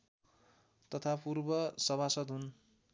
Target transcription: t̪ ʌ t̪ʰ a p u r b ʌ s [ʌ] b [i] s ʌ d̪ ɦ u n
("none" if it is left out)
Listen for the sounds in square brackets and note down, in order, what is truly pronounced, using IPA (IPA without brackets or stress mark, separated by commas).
ʌ, a